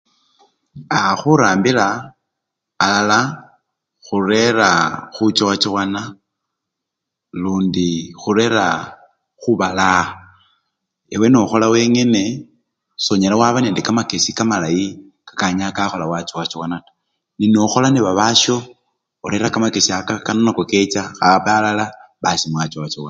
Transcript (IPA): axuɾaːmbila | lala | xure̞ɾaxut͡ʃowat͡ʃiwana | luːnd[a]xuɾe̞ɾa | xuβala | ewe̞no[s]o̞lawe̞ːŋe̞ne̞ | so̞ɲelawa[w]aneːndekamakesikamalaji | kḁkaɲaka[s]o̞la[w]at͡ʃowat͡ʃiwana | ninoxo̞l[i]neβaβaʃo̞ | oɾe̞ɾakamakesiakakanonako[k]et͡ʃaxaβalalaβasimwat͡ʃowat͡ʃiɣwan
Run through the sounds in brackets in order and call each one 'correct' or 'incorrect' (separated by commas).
incorrect, incorrect, incorrect, incorrect, correct, incorrect, correct